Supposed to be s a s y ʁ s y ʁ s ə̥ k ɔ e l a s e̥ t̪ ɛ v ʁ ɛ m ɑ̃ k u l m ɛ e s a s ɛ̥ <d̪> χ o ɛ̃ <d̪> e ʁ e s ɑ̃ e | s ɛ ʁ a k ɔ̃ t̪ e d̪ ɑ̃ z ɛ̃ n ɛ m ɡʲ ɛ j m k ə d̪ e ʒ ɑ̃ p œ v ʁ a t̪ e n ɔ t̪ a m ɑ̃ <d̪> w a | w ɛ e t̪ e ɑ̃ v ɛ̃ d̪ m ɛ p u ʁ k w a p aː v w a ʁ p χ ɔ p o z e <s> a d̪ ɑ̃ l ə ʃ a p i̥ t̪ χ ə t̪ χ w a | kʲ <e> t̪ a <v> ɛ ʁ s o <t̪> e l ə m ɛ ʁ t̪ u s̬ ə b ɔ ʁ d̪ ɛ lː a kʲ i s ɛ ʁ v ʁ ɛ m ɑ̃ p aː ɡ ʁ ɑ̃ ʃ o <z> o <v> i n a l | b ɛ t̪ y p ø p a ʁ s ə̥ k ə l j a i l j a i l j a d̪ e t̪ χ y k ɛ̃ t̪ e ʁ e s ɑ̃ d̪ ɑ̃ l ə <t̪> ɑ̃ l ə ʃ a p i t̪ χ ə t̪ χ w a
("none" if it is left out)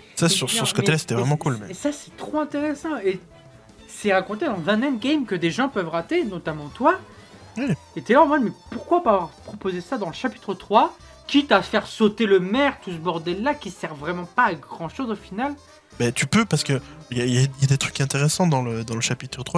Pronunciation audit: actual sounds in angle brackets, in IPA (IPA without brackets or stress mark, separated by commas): t̪, t̪, t̪, s, i, f, t̪, z, f, d̪